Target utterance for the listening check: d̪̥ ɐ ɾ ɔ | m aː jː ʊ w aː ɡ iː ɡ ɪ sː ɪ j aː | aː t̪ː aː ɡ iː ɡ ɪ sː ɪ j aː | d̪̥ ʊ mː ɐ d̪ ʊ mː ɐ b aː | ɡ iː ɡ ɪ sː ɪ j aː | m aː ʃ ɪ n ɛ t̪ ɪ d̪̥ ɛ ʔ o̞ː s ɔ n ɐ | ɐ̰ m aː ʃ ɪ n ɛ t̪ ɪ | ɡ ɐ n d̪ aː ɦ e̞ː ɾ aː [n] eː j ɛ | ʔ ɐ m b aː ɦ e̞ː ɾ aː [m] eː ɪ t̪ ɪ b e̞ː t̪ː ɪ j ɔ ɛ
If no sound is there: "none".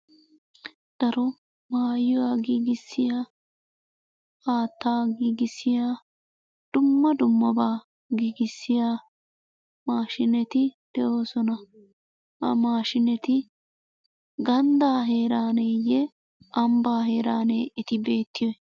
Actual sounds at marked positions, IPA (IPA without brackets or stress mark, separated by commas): n, n